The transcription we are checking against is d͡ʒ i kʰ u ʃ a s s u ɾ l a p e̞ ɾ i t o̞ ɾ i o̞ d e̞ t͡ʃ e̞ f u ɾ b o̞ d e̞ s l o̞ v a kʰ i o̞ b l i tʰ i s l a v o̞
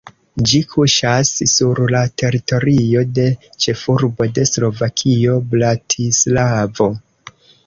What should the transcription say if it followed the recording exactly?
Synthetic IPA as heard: d͡ʒ i kʰ u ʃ a s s u ɾ l a t e̞ ɾ i t o̞ ɾ i o̞ d e̞ t͡ʃ e̞ f u ɾ b o̞ d e̞ s l o̞ v a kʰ i o̞ b l a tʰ i s l a v o̞